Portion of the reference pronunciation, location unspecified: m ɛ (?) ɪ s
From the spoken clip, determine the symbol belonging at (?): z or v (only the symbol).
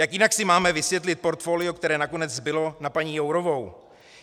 v